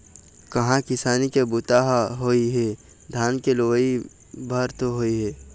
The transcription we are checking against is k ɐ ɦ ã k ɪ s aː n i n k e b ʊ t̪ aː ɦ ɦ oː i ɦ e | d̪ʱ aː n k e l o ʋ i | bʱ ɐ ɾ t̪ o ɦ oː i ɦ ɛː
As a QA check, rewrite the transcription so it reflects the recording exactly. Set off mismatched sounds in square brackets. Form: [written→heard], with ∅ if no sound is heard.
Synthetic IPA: k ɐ ɦ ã k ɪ s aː n i [n→∅] k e b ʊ t̪ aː ɦ ɦ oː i ɦ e | d̪ʱ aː n k e l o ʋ i | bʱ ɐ ɾ t̪ o ɦ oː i ɦ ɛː